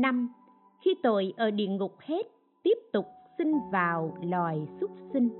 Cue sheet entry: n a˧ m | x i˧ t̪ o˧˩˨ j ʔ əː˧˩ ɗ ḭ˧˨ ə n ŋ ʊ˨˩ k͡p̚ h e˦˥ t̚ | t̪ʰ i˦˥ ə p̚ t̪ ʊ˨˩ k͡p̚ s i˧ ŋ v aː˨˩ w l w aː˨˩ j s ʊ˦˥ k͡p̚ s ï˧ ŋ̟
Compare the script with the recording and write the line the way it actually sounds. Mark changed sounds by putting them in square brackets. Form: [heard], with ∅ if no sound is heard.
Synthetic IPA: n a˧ m | x i˧ t̪ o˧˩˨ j ʔ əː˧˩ ɗ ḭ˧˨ ə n ŋ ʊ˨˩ k͡p̚ h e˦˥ t̚ | [t̪] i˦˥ ə p̚ t̪ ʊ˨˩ k͡p̚ s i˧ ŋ v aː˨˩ w l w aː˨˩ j s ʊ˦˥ k͡p̚ s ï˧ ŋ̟